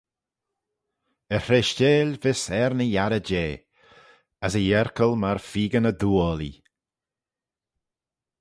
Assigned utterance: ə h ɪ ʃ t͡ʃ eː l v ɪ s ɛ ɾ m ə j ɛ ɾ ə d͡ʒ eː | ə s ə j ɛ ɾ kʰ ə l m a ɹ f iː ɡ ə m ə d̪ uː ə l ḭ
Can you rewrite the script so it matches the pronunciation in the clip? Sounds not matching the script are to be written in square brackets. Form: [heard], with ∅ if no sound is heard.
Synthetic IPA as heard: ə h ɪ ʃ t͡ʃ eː l v ɪ s ɛ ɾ [n] ə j [a] ɾ ə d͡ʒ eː | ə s ə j ɛ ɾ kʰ ə l m a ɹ f iː ɡ ə [n] ə d̪ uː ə l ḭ